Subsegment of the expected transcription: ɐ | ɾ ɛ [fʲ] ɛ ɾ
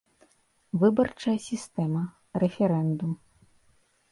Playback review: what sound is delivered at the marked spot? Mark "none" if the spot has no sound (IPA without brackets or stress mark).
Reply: fʲ